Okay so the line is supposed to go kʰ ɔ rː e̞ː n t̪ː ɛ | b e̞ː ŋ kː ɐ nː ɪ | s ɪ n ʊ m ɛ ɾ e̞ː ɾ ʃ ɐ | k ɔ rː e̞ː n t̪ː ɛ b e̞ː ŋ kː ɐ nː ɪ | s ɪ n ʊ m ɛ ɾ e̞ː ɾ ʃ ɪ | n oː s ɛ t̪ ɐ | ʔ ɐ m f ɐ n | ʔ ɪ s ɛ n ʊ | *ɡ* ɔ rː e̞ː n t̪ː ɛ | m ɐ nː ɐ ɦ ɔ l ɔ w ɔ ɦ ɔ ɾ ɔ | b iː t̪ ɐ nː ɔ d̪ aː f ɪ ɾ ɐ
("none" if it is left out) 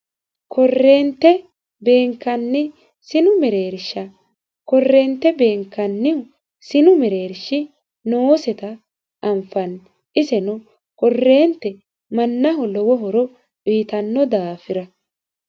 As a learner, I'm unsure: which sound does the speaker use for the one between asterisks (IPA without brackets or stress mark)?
k